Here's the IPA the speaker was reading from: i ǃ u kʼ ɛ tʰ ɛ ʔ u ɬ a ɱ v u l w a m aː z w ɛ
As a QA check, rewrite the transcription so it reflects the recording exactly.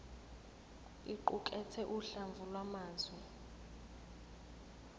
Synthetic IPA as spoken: i ǃ u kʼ ɛ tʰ ɛ ʔ u ɬ a ɱ v u l w a m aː z w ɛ